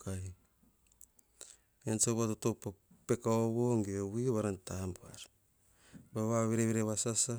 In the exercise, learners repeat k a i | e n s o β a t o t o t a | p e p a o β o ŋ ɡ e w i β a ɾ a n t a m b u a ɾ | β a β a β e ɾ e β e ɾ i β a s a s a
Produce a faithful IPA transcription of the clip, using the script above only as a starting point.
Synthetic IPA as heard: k a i | e n s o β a t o t o p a | p e k a o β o ŋ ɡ e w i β a ɾ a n t a m b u a ɾ | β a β a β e ɾ e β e ɾ e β a s a s a